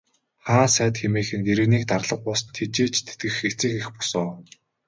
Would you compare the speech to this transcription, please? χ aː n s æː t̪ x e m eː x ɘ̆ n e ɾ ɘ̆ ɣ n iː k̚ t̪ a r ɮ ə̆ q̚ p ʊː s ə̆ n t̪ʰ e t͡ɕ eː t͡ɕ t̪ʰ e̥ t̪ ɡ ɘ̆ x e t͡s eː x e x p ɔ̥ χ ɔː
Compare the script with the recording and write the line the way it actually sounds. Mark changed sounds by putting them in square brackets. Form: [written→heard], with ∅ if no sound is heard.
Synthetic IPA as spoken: χ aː n s æː t̪ x e m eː x ɘ̆ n e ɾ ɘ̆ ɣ n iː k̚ t̪ a r ɮ ə̆ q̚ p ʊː s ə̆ n t̪ʰ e t͡ɕ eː t͡ɕ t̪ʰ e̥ t̪ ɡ ɘ̆ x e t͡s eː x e x p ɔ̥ [χ→s] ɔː

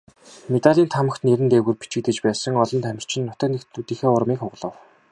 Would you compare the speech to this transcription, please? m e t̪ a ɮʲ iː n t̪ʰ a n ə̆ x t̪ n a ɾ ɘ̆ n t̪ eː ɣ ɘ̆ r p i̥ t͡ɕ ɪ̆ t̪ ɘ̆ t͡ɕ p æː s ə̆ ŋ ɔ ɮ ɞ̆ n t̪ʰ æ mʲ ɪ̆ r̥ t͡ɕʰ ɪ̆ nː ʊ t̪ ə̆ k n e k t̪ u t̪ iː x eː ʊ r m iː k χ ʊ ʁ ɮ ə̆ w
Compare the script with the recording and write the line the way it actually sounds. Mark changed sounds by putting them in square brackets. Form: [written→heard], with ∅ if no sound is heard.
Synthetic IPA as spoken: m e t̪ a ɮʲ iː n t̪ʰ a [n→m] ə̆ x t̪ n [a→e] ɾ ɘ̆ n t̪ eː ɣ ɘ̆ r p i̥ t͡ɕ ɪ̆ t̪ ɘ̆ t͡ɕ p æː s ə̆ ŋ ɔ ɮ ɞ̆ n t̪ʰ æ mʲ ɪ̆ r̥ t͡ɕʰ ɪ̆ nː ʊ t̪ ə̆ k n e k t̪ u t̪ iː x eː ʊ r m iː k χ ʊ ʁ ɮ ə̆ w

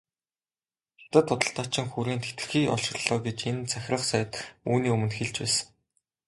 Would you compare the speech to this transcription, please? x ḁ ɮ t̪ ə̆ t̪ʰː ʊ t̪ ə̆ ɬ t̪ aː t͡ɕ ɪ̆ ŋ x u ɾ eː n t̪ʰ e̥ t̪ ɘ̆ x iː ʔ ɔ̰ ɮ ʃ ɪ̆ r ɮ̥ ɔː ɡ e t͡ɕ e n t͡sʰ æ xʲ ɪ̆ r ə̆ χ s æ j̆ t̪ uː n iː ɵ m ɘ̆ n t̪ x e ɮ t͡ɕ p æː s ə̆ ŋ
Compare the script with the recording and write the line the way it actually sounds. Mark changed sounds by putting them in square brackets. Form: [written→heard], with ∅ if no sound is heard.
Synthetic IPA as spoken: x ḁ [ɮ→∅] t̪ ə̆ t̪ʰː ʊ t̪ ə̆ ɬ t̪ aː t͡ɕ ɪ̆ ŋ x u ɾ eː n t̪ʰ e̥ t̪ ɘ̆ x iː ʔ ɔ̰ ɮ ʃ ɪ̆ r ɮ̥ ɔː ɡ e t͡ɕ e n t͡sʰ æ xʲ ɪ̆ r ə̆ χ s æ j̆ t̪ uː n iː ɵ m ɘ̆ n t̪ x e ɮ t͡ɕ p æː s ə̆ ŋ

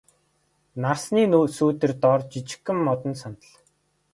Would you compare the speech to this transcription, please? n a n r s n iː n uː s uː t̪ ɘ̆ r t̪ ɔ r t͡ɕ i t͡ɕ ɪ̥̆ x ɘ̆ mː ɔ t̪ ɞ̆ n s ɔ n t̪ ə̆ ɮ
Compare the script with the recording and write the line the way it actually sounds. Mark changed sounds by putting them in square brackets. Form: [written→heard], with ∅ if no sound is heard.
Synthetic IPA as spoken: n a [n→∅] r s n iː n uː s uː t̪ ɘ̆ r t̪ ɔ r t͡ɕ i t͡ɕ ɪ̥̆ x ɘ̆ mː ɔ t̪ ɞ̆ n s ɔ n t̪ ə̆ ɮ

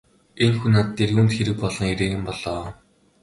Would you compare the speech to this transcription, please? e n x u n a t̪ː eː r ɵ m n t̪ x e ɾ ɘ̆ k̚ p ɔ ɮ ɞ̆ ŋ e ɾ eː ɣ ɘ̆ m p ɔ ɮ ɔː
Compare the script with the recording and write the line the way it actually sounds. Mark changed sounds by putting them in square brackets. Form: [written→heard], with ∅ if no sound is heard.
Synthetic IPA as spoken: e n x u n a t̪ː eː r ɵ [m→∅] n t̪ x e ɾ ɘ̆ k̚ p ɔ ɮ ɞ̆ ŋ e ɾ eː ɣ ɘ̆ m p ɔ ɮ ɔː

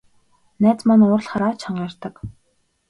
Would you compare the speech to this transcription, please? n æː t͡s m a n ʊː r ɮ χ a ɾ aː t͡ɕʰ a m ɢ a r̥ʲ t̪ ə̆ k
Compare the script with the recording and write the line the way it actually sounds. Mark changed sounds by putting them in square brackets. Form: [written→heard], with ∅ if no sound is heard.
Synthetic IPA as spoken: n æː t͡s m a n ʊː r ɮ χ a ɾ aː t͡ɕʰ a [m→ɴ] ɢ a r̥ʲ t̪ ə̆ k

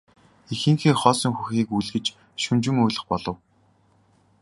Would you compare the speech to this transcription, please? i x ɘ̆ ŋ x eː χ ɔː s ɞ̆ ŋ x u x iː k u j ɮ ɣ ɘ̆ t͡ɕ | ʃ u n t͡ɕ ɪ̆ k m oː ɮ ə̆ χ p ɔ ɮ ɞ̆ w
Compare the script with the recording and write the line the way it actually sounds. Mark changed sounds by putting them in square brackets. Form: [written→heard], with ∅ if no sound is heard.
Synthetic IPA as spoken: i x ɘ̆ ŋ x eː χ ɔː s ɞ̆ ŋ x u x iː k u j ɮ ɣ ɘ̆ t͡ɕ | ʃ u n t͡ɕ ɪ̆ [k→∅] m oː ɮ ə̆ χ p ɔ ɮ ɞ̆ w

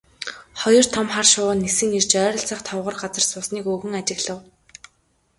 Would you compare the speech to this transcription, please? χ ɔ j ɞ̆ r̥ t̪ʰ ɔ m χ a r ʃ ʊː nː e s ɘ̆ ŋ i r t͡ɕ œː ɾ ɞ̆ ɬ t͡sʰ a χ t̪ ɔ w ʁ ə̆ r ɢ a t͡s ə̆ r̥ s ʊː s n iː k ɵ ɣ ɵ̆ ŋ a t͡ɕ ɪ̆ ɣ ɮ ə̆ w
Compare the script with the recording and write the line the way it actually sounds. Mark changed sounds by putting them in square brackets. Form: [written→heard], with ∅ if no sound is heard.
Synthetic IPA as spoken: χ ɔ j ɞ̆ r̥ t̪ʰ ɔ m χ a r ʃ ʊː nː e s ɘ̆ ŋ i r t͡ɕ œː ɾ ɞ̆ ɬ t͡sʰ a χ [t̪→t̪ʰ] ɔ w ʁ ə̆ r ɢ a t͡s ə̆ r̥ s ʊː s n iː k ɵ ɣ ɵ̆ ŋ a t͡ɕ ɪ̆ ɣ ɮ ə̆ w

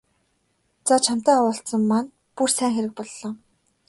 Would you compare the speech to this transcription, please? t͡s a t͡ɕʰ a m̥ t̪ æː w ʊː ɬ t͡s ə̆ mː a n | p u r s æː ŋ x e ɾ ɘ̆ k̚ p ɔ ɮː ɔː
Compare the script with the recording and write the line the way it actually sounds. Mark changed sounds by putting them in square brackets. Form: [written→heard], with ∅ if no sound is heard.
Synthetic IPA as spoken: t͡s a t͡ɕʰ a m̥ t̪ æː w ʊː ɬ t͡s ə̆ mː a n | p u r s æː ŋ x e ɾ ɘ̆ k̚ p ɔ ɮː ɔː

